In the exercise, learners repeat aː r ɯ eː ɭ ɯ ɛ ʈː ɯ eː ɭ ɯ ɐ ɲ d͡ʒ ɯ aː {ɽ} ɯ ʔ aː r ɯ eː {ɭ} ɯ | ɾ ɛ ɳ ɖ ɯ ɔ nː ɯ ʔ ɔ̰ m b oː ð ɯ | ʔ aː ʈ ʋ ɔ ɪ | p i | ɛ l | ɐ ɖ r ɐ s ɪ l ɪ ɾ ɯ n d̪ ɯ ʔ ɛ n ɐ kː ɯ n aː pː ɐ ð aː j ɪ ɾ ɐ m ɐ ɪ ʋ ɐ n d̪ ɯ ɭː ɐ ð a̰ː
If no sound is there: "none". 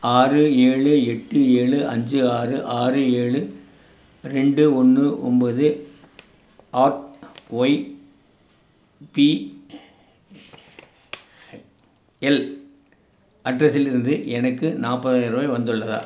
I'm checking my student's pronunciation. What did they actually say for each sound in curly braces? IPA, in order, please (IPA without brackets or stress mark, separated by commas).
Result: r, ɭ